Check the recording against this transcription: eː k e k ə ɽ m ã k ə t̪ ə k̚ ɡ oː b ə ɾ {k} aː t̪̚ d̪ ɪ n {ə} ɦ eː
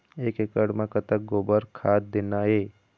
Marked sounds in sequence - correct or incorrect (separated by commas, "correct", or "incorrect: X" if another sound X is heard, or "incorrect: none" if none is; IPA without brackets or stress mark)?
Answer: incorrect: kʰ, incorrect: a